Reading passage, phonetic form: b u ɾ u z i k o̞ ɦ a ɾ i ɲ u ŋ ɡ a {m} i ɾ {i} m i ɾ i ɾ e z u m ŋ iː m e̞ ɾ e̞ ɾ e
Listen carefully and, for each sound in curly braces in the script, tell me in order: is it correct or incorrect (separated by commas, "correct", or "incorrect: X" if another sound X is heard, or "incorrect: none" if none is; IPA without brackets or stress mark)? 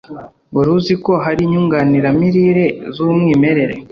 incorrect: n, incorrect: a